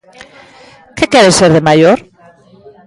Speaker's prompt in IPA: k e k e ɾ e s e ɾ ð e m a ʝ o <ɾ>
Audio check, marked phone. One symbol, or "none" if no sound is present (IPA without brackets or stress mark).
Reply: ɾ